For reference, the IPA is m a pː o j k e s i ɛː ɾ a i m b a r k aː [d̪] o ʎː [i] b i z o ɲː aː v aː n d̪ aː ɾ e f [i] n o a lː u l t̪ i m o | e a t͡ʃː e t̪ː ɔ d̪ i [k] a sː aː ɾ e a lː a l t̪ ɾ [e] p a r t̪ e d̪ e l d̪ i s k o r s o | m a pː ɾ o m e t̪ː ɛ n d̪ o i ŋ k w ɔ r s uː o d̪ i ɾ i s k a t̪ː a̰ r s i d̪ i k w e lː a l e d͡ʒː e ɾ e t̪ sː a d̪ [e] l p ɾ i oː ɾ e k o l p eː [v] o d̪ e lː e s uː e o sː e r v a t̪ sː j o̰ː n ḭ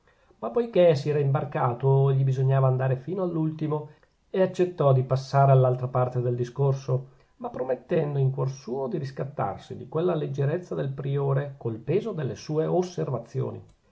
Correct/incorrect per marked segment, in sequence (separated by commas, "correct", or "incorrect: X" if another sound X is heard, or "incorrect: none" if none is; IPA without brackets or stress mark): incorrect: t̪, correct, incorrect: iː, incorrect: p, incorrect: a, correct, incorrect: z